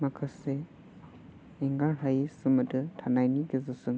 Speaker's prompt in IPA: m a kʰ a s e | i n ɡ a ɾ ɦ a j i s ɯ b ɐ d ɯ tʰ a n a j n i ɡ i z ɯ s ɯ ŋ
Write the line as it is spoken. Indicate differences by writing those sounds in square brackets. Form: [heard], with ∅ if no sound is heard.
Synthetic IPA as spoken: m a kʰ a s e | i [ŋ] ɡ a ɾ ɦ a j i s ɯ [m] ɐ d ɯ tʰ a n a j n i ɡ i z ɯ s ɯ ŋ